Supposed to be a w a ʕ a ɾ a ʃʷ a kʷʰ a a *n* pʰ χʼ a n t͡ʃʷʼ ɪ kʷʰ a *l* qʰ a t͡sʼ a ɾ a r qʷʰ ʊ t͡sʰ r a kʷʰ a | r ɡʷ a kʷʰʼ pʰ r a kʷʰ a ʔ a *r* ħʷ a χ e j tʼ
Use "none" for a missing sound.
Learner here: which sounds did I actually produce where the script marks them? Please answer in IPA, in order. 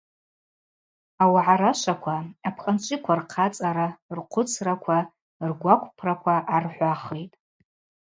none, r, r

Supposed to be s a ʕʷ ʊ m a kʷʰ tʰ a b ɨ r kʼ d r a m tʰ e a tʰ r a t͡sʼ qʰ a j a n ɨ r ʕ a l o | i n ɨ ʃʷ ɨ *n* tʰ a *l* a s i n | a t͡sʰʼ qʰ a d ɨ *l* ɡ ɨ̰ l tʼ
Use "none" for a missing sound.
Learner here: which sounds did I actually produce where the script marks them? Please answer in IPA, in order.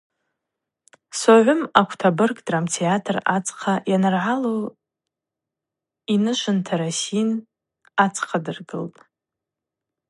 n, ɾ, r

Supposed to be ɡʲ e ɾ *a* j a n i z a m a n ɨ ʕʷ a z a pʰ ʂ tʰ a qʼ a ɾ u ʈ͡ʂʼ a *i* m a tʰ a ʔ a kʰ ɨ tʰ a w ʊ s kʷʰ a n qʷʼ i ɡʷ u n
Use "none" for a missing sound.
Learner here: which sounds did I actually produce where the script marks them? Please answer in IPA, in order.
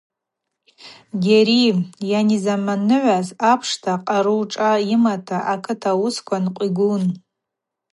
i, i

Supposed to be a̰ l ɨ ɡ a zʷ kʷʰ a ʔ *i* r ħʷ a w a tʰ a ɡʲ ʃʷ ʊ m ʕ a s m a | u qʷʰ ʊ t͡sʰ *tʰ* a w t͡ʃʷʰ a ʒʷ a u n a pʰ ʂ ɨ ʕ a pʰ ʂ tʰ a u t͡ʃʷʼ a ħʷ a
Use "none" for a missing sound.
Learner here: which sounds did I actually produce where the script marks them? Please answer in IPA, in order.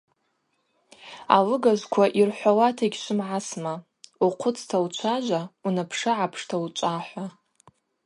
i, tʰ

